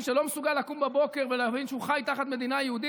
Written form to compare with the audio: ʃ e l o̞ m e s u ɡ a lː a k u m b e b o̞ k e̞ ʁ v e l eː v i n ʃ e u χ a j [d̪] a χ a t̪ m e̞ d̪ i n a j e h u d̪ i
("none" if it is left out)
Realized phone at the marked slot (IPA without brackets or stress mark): t̪